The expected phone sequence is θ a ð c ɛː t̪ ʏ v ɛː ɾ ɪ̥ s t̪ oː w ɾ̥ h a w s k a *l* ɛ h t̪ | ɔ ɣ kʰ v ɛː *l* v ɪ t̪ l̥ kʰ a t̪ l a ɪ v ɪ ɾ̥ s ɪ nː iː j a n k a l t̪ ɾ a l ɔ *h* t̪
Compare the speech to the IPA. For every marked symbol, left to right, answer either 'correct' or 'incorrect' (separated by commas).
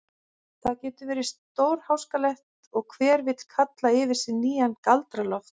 correct, incorrect, incorrect